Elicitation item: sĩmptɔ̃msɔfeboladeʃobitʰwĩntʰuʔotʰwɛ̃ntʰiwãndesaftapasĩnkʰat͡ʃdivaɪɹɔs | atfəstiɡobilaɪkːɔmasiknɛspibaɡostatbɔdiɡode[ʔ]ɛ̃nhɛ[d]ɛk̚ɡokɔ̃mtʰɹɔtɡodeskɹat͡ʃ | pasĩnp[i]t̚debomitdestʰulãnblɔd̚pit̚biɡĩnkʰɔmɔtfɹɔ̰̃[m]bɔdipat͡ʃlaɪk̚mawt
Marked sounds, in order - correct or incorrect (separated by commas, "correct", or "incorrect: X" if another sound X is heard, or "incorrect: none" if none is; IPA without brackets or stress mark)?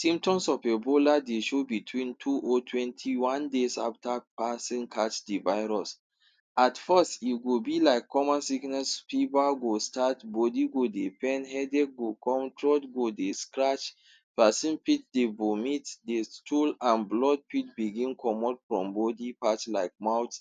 incorrect: p, correct, correct, correct